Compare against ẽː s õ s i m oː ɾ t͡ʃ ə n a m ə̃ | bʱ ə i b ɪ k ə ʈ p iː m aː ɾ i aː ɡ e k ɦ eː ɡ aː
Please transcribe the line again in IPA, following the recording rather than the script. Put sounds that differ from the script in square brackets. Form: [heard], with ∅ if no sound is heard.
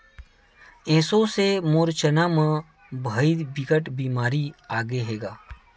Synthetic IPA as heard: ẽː s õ s [e] m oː ɾ t͡ʃ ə n a m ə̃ | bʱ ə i b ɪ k ə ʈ [b] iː m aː ɾ i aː ɡ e [∅] ɦ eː ɡ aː